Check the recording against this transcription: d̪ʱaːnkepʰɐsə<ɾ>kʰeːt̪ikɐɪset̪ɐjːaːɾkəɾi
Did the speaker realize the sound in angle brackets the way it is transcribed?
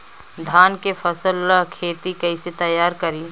no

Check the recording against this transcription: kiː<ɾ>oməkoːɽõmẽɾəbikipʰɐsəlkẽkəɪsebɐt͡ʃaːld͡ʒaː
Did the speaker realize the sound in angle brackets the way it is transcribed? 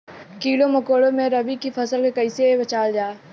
no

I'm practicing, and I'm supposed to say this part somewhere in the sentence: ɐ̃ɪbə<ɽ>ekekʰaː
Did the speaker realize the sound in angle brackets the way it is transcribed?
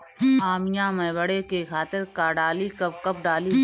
yes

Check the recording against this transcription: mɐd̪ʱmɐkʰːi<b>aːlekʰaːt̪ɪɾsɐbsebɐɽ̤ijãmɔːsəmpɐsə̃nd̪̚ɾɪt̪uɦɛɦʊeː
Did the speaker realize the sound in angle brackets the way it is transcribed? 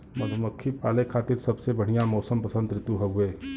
no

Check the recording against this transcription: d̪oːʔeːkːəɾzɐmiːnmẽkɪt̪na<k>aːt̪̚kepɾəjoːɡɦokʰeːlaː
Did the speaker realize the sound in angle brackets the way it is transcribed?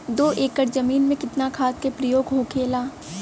no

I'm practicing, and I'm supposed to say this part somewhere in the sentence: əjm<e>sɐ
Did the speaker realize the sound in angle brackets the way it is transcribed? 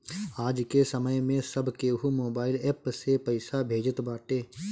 no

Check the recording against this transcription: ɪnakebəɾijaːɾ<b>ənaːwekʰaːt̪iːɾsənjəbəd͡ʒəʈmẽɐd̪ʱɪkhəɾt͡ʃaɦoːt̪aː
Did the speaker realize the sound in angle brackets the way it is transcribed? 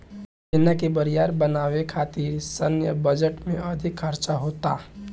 yes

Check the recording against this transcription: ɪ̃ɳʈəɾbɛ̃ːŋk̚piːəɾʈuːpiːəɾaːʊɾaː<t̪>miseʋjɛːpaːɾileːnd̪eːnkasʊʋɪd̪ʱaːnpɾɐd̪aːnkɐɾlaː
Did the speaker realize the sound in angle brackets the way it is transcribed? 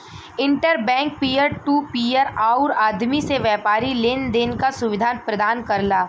no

